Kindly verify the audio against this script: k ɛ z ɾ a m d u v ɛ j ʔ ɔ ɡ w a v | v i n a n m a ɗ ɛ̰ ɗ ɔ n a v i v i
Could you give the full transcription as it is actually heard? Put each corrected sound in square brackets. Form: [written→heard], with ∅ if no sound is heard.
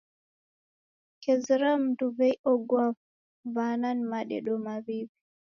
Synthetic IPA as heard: k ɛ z ɾ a m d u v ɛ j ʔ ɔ ɡ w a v | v [i→a] n a n m a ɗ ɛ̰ ɗ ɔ [n→m] a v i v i